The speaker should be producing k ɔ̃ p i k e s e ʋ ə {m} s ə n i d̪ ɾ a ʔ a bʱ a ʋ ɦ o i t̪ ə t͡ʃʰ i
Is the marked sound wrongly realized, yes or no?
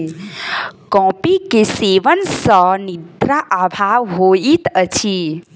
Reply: yes